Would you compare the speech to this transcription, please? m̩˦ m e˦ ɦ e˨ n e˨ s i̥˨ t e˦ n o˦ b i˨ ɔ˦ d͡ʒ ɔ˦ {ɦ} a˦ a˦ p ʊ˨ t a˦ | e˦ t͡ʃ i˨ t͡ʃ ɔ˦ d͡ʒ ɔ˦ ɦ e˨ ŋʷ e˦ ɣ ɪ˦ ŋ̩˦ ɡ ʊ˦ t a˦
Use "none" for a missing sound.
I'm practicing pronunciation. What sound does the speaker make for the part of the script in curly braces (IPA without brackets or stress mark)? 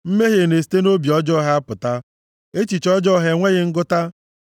ɦ